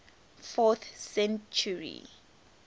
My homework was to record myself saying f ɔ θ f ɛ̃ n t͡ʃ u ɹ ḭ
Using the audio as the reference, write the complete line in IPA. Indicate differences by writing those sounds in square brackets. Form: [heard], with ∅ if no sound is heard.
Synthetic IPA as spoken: f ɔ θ [s] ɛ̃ n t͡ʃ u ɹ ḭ